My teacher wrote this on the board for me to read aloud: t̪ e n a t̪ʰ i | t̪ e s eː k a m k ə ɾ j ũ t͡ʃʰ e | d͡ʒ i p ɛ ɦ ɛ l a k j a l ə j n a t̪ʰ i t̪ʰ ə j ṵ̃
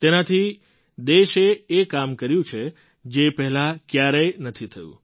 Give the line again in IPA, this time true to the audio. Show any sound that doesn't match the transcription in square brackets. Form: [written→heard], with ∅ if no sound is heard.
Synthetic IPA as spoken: t̪ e n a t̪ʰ i | [t̪→d̪] e [s→ʃ] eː k a m k ə ɾ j ũ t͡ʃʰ e | d͡ʒ [i→e] p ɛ ɦ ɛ l a k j a [l→ɾ] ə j n [a→ə] t̪ʰ i t̪ʰ ə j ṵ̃